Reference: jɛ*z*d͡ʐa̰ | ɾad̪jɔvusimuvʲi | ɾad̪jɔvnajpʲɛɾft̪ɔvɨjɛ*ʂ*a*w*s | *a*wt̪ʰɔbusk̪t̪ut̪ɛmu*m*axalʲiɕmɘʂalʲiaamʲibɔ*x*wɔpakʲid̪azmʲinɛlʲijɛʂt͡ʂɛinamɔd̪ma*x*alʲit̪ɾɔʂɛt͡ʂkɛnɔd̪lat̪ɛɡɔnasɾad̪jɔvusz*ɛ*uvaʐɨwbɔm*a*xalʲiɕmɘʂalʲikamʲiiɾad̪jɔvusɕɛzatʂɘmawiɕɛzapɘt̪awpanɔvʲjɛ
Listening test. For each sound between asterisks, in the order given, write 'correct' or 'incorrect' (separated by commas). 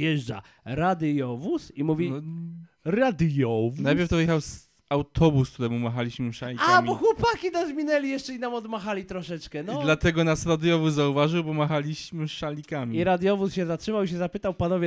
incorrect, incorrect, correct, correct, correct, correct, correct, incorrect, correct